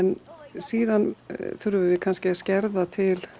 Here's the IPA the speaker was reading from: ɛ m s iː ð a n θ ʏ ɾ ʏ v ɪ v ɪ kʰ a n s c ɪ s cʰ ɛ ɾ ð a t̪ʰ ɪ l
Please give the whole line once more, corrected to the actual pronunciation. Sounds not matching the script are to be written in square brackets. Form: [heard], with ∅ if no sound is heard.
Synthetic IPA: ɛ [n] s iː ð a n θ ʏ ɾ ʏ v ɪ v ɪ kʰ a n s c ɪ s [c] ɛ ɾ ð a t̪ʰ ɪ l